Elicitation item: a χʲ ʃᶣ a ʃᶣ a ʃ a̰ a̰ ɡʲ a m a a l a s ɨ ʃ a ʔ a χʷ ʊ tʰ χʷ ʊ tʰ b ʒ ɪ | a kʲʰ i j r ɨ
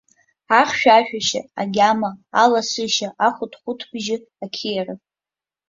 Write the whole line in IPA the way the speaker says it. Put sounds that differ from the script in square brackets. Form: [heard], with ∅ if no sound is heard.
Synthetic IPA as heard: a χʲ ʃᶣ a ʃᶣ a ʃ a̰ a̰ ɡʲ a m a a l a s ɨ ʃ a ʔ a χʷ ʊ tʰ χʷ ʊ tʰ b ʒ ɪ | a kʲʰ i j r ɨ